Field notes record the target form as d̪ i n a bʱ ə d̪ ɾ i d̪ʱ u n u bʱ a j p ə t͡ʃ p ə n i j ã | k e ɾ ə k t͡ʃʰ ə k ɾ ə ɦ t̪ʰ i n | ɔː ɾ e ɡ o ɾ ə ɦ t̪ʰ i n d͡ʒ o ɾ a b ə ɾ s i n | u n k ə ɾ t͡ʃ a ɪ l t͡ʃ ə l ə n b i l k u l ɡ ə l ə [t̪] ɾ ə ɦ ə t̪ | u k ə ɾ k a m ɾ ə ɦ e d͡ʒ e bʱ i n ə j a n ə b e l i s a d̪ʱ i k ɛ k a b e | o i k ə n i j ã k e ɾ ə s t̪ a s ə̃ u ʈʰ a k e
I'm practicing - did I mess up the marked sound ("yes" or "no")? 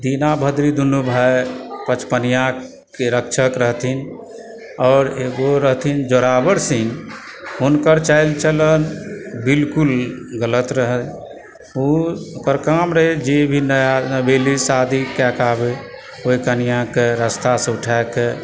no